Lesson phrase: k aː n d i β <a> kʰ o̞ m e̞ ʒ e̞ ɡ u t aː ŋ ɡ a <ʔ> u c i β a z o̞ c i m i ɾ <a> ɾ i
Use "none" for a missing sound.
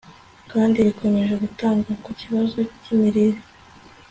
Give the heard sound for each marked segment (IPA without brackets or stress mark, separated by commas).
i, k, i